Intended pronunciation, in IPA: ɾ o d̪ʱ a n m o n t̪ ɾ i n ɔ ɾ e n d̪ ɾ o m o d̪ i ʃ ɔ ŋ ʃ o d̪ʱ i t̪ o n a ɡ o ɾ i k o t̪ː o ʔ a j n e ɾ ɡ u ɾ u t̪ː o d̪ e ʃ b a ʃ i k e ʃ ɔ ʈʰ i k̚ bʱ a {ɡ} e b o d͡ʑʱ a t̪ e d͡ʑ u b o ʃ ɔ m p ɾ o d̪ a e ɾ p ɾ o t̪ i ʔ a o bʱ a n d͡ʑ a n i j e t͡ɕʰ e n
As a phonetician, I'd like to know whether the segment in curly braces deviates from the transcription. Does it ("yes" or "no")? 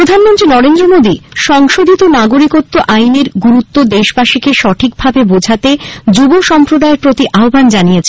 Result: yes